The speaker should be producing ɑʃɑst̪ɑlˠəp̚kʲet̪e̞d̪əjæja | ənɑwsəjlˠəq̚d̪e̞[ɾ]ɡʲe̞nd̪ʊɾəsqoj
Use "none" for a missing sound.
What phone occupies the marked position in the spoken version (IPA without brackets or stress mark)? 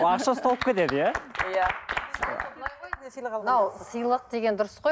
none